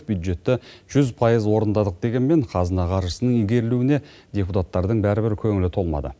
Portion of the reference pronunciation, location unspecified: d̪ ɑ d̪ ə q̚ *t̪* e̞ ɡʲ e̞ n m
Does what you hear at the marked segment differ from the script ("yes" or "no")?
yes